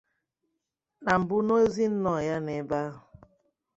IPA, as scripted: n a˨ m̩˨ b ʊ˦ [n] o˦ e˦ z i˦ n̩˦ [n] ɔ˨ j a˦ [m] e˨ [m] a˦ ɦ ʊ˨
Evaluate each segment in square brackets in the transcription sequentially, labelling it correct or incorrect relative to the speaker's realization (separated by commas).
correct, correct, incorrect, incorrect